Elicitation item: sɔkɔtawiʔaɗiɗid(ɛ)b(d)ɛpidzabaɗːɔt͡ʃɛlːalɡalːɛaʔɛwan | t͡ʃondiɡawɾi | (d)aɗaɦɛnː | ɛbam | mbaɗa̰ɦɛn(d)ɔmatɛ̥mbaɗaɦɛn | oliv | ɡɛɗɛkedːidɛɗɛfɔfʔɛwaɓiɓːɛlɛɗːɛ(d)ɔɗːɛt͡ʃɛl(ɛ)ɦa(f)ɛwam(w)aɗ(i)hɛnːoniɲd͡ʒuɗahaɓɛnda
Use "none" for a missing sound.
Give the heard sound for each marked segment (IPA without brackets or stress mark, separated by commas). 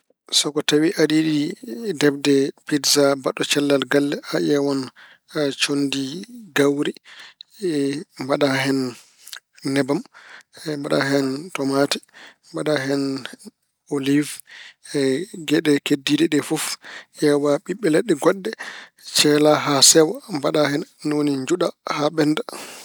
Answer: ɛ, d, b, t, ɡ, a, s, b, a